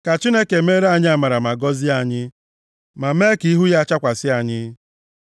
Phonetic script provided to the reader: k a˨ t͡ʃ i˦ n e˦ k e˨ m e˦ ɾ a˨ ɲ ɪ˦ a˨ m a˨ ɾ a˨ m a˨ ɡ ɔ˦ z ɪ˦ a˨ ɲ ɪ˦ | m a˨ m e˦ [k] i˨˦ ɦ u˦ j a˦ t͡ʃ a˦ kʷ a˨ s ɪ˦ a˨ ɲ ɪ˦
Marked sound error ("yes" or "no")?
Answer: no